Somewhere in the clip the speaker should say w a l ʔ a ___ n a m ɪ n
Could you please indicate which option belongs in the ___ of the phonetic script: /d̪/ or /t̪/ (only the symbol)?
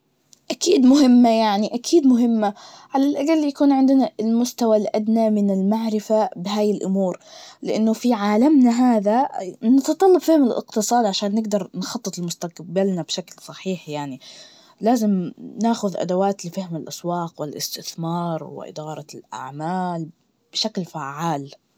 d̪